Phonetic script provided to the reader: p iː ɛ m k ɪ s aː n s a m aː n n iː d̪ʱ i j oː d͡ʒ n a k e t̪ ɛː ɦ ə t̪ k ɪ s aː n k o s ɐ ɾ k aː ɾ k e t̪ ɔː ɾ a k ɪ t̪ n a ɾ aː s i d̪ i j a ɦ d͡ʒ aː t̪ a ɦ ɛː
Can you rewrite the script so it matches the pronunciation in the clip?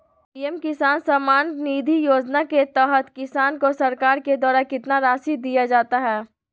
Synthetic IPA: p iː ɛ m k ɪ s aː n s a m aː n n iː d̪ʱ i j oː d͡ʒ n a k e t̪ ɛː ɦ ə t̪ k ɪ s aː n k o s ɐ ɾ k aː ɾ k e d̪ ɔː ɾ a k ɪ t̪ n a ɾ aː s i d̪ i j a d͡ʒ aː t̪ a ɦ ɛː

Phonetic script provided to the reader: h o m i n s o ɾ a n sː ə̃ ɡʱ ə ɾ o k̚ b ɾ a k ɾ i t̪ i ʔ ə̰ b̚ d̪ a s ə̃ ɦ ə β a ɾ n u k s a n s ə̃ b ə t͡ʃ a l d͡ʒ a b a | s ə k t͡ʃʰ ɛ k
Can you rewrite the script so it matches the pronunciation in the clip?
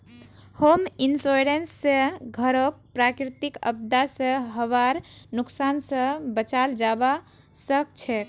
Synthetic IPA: h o m i n s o ɾ e n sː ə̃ ɡʱ ə ɾ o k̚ p ɾ a k ɾ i t̪ i k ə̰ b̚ d̪ a s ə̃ ɦ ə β a ɾ n u k s a n s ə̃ b ə t͡ʃ a l d͡ʒ a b a | s ə k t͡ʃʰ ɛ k

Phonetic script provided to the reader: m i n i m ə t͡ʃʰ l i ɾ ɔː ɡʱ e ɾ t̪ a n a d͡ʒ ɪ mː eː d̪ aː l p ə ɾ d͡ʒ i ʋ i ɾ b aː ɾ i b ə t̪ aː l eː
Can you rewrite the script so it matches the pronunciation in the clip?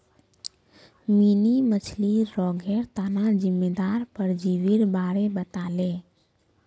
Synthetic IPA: m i n i m ə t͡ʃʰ l i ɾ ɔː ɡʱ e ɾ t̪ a n a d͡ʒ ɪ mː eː d̪ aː ɾ p ə ɾ d͡ʒ i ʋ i ɾ b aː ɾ e b ə t̪ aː l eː

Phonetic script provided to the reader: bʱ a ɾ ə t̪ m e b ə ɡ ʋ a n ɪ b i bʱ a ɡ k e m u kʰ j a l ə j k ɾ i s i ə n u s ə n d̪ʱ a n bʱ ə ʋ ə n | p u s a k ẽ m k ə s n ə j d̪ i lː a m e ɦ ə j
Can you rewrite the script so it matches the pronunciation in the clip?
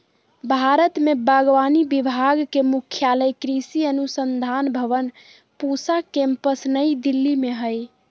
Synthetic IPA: bʱ a ɾ ə t̪ m e b ə ɡ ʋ a n i b i bʱ a ɡ k e m u kʰ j a l ə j k ɾ i s i ə n u s ə n d̪ʱ a n bʱ ə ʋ ə n | p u s a k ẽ m p ə s n ə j d̪ i lː i m e ɦ ə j

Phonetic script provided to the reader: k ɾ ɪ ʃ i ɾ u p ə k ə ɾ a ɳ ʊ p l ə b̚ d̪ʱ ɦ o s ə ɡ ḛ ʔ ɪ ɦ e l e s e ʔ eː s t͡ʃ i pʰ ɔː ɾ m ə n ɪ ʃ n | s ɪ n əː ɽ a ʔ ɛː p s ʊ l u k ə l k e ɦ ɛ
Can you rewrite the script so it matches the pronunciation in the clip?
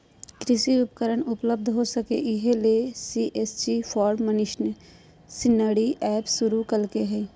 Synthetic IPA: k ɾ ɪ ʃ i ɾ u p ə k ə ɾ ə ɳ ʊ p l ə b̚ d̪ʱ ɦ o s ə k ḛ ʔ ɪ ɦ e l e s i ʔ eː s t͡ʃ i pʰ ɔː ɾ m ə n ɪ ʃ n | s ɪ n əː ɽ i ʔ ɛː p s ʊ ɾ u k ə l k e ɦ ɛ

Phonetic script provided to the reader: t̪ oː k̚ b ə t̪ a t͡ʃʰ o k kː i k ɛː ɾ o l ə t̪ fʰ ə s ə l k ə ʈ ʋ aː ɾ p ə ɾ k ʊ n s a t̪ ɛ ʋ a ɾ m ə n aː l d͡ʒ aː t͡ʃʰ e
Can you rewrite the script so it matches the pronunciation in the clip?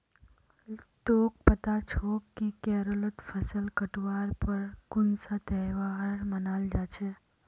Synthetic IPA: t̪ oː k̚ p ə t̪ a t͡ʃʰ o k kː i k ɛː ɾ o l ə t̪ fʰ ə s ə l k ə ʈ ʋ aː ɾ p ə ɾ k ʊ n s a t̪ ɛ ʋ a ɾ m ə n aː l d͡ʒ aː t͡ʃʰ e

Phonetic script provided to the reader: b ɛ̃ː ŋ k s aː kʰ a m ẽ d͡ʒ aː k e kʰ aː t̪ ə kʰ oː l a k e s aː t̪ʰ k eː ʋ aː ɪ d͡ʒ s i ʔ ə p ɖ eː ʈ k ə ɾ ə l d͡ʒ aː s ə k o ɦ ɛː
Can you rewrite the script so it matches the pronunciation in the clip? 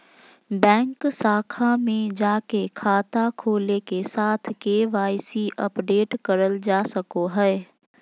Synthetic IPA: b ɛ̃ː ŋ k s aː kʰ a m ẽ d͡ʒ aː k e kʰ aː t̪ a kʰ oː l e k e s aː t̪ʰ k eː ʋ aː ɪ s i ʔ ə p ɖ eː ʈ k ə ɾ ə l d͡ʒ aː s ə k o ɦ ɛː

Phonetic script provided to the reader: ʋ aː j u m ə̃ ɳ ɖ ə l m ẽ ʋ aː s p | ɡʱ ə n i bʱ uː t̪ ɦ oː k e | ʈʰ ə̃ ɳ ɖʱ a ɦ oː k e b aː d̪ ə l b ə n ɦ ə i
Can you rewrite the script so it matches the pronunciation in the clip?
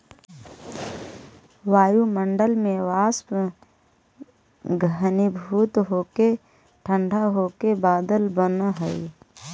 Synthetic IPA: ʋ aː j u m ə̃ ɳ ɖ ə l m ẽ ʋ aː s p | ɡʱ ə n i bʱ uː t̪ ɦ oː k e | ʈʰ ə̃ ɳ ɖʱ a ɦ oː k e b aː d̪ ə l b ə n ɦ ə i

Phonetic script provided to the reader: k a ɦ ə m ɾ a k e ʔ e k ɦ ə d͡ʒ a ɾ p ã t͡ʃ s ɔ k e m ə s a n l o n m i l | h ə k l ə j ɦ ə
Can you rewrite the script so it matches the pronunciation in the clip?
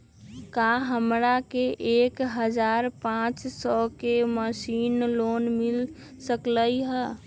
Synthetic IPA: k a ɦ ə m ɾ a k e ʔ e k ɦ ə d͡ʒ a ɾ p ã t͡ʃ s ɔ k e m ə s i n l o n m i l | s ə k l ə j ɦ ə

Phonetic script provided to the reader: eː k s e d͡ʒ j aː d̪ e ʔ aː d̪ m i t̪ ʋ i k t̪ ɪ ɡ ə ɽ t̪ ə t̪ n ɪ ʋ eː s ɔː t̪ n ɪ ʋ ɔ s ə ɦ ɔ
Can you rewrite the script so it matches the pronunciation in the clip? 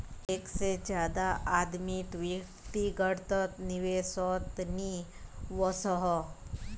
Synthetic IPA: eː k s e d͡ʒ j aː d̪ a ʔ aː d̪ m i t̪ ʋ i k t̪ i ɡ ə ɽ t̪ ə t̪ n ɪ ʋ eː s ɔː t̪ n i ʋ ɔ s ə ɦ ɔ

